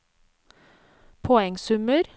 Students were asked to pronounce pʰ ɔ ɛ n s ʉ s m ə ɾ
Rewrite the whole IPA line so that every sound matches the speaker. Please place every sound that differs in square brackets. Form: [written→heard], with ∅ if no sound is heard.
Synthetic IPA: pʰ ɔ ɛ [n→ŋ] s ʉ [s→∅] m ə ɾ